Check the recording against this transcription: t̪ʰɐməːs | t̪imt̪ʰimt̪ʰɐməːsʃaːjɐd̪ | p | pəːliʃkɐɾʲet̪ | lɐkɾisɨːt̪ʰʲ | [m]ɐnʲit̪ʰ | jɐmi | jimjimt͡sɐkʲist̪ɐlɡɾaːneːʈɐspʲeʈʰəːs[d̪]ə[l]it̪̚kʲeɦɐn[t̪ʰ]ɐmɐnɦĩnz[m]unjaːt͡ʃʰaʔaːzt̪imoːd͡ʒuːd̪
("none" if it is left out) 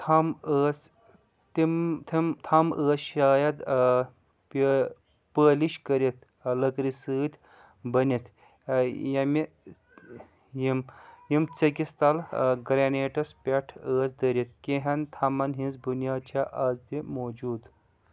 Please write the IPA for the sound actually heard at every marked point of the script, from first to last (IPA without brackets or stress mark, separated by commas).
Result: b, d̪, ɾ, t̪ʰ, b